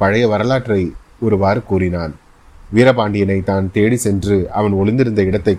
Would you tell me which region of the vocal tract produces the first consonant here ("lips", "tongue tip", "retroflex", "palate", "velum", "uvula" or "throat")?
lips